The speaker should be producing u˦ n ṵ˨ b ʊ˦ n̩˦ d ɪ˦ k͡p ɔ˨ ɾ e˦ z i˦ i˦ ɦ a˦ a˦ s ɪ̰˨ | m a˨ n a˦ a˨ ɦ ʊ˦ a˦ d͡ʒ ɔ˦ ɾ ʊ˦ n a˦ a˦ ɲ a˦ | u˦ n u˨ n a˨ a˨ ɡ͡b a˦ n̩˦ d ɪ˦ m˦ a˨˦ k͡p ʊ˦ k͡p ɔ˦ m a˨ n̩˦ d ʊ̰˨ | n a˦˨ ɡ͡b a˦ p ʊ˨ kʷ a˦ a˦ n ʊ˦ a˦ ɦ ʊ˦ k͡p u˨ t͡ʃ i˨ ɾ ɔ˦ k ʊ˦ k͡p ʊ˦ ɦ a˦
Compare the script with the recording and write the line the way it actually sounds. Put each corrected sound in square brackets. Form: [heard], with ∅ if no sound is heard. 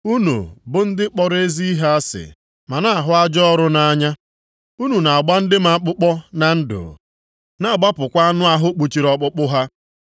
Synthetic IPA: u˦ n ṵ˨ b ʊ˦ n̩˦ d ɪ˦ k͡p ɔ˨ ɾ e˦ z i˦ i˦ ɦ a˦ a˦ s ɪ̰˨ | m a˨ n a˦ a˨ ɦ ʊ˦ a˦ d͡ʒ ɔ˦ ɾ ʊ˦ n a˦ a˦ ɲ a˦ | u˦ n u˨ n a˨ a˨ ɡ͡b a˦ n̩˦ d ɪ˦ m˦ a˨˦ k͡p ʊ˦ k͡p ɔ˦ [n] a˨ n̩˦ d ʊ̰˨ | n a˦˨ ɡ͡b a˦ p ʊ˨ kʷ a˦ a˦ n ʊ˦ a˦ ɦ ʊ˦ k͡p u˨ t͡ʃ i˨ ɾ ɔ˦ [k͡p] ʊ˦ k͡p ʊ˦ ɦ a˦